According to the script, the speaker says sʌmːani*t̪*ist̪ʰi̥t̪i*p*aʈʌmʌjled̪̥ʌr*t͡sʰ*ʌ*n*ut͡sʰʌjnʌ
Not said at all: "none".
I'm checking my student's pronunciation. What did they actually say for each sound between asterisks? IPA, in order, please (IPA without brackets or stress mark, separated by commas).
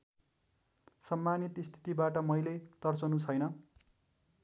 t̪, b, t͡s, n